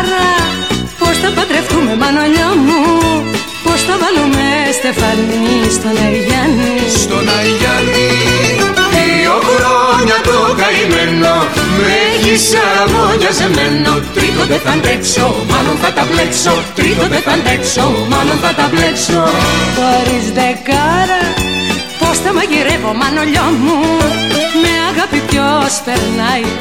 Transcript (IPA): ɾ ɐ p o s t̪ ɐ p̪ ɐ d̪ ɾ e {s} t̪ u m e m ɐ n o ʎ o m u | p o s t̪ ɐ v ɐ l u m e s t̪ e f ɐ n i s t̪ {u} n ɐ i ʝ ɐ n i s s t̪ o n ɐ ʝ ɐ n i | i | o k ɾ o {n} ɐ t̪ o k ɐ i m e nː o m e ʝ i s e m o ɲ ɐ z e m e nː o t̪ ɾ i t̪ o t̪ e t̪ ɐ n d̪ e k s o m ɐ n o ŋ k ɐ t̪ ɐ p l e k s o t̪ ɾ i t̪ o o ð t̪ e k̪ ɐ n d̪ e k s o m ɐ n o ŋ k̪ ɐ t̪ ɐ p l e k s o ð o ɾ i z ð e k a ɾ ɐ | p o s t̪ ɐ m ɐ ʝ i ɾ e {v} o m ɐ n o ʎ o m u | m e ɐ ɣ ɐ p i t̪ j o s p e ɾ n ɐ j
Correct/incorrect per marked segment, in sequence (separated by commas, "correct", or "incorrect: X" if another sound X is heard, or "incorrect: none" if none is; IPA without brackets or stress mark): incorrect: f, incorrect: o, incorrect: ɲ, correct